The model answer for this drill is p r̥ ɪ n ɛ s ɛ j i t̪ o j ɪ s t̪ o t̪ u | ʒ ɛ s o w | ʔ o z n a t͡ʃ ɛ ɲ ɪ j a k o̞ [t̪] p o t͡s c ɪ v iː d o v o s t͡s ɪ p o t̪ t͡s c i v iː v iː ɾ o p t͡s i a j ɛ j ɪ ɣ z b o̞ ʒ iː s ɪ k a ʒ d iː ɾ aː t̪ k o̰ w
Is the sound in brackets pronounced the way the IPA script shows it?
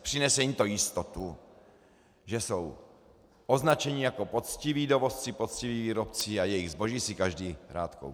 no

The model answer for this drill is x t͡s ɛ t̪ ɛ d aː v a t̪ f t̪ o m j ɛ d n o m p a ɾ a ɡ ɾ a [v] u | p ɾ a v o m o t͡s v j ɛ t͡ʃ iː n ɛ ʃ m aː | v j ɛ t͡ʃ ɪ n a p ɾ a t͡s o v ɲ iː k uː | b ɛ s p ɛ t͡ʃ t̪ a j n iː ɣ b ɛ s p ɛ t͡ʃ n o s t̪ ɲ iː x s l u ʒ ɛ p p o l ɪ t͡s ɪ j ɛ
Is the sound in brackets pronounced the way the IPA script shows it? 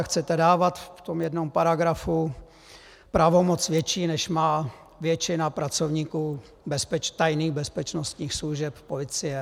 no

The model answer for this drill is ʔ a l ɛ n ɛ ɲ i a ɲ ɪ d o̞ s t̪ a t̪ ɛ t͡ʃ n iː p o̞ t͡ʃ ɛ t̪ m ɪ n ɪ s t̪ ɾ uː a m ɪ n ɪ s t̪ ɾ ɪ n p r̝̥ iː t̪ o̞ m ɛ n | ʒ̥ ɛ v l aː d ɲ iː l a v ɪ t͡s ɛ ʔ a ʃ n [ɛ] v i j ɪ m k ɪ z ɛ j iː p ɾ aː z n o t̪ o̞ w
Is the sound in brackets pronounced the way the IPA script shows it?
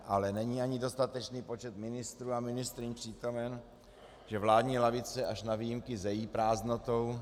no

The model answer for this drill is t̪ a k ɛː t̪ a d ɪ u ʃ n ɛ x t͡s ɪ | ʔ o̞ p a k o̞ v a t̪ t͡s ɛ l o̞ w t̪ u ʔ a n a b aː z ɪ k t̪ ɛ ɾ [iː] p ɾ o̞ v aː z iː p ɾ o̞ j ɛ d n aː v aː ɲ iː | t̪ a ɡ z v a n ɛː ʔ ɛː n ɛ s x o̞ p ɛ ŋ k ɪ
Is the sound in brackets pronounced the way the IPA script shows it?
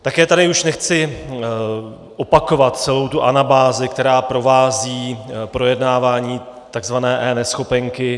no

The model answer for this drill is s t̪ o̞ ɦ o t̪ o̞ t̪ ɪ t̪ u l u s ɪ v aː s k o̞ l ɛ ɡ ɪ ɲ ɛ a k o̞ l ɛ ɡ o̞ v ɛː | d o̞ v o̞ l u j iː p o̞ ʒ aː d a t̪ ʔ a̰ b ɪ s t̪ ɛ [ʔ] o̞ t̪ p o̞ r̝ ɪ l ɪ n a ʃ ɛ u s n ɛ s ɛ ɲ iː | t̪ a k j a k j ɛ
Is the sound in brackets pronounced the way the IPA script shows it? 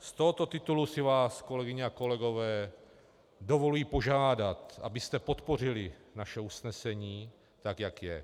no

